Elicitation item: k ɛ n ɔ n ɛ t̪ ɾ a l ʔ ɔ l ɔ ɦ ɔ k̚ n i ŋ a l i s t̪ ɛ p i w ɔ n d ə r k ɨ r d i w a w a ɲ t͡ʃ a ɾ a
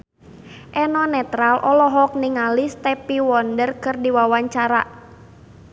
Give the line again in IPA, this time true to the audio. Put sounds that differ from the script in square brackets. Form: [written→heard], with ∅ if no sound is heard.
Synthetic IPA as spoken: [k→ʔ] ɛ n ɔ n ɛ t̪ ɾ a l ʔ ɔ l ɔ ɦ ɔ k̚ n i ŋ a l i s t̪ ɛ p i w ɔ n d ə r k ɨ r d i w a w a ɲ t͡ʃ a ɾ a